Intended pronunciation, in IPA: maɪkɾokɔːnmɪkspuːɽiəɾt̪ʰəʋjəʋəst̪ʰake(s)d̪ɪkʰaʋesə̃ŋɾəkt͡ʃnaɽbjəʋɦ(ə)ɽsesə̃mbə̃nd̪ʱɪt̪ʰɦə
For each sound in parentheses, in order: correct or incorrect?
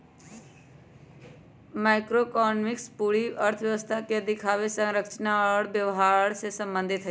incorrect: none, incorrect: a

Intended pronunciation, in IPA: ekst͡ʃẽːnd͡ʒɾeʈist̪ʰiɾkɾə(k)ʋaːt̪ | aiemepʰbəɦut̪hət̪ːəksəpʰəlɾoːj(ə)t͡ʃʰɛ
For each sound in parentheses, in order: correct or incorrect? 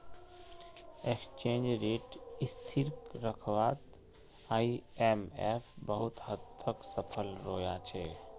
incorrect: kʰ, incorrect: a

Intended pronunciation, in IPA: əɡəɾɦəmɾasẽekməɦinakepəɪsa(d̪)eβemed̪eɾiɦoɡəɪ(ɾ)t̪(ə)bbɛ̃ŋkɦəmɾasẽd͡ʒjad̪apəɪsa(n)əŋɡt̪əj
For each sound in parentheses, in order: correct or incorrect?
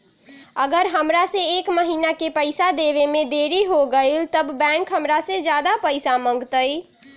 correct, incorrect: l, correct, incorrect: m

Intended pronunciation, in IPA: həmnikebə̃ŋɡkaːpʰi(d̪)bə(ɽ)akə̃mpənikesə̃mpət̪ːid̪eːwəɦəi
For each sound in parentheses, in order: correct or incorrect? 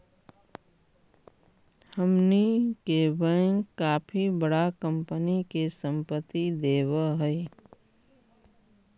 incorrect: none, correct

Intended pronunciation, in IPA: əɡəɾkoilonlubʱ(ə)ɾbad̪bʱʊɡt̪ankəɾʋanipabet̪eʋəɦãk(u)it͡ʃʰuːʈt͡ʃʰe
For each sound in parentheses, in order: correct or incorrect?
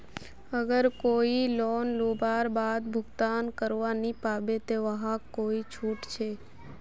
incorrect: a, incorrect: o

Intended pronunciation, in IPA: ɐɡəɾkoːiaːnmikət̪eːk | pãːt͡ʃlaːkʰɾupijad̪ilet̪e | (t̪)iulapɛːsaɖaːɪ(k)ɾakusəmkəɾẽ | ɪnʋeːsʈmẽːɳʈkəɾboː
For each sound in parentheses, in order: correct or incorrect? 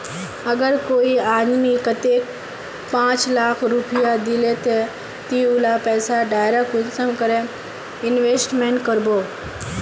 correct, incorrect: none

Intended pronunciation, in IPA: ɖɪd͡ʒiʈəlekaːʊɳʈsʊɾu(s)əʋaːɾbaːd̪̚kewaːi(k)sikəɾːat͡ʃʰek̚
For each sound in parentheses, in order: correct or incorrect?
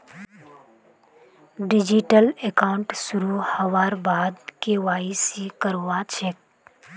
incorrect: h, incorrect: none

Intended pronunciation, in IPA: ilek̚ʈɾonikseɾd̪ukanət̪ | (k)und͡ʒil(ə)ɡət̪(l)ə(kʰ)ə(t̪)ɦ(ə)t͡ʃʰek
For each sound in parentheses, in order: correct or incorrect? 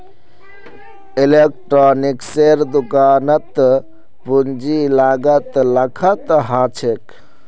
incorrect: p, incorrect: a, correct, correct, correct, incorrect: a

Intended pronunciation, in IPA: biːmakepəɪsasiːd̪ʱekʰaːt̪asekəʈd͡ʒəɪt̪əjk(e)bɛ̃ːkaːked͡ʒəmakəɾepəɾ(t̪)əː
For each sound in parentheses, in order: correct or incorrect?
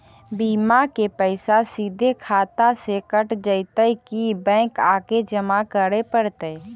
incorrect: i, correct

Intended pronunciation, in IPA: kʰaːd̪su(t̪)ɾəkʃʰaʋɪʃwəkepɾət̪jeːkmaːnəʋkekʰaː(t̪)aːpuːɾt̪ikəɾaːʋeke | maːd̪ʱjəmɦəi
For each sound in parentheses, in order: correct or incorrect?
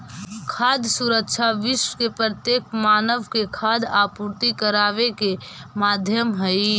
incorrect: none, incorrect: d̪

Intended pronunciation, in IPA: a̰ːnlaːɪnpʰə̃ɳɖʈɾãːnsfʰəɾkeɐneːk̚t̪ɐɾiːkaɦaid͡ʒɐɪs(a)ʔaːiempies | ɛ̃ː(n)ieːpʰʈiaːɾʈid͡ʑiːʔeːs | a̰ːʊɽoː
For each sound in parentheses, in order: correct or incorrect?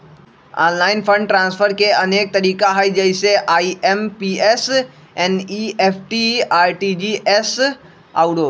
incorrect: e, correct

